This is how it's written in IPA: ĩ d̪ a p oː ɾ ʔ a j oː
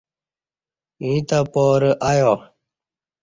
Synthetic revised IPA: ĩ t̪ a p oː ɾ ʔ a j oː